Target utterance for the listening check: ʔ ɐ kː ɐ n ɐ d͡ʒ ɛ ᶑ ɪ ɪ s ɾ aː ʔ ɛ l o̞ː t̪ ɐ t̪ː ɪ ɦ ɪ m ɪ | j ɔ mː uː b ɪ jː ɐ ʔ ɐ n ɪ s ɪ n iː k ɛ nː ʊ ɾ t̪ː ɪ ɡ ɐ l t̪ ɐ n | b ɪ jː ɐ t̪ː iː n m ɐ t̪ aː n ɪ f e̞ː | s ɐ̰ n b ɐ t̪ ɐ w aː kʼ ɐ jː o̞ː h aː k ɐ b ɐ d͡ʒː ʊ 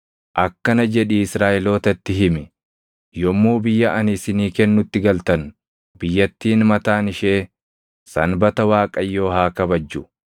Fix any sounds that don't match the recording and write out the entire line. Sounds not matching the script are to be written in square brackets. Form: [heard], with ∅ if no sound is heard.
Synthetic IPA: ʔ ɐ kː ɐ n ɐ d͡ʒ ɛ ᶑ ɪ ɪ s ɾ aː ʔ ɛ l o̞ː t̪ ɐ t̪ː ɪ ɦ ɪ m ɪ | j ɔ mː uː b ɪ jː ɐ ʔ ɐ n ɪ s ɪ n iː k ɛ nː ʊ [∅] t̪ː ɪ ɡ ɐ l t̪ ɐ n | b ɪ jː ɐ t̪ː iː n m ɐ t̪ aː n ɪ [ʃ] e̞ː | s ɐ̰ n b ɐ t̪ ɐ w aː kʼ ɐ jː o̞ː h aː k ɐ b ɐ d͡ʒː ʊ